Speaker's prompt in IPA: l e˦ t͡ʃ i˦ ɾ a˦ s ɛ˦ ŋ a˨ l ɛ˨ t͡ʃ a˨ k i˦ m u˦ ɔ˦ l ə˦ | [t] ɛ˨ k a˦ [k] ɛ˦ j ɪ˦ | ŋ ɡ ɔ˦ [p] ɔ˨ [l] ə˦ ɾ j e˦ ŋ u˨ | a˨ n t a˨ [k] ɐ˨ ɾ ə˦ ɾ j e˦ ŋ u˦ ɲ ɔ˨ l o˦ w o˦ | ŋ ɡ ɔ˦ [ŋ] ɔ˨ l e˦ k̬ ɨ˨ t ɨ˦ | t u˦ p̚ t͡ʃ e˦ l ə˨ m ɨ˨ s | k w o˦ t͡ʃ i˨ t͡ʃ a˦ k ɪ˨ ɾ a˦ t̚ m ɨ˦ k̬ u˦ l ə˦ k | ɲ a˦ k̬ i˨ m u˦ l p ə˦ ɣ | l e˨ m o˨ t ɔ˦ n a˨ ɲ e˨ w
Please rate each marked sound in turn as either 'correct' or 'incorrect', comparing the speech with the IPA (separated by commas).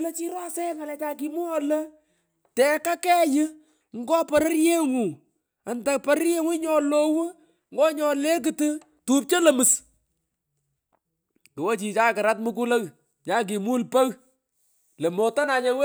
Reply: correct, correct, correct, incorrect, incorrect, incorrect